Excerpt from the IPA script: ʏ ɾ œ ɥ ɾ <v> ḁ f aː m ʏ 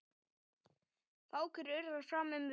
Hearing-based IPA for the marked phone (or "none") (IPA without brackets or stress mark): ð